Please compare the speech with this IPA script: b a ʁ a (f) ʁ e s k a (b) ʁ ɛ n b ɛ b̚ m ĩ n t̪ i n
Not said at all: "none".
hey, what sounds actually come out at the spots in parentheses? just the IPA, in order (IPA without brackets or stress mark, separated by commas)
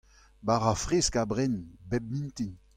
f, b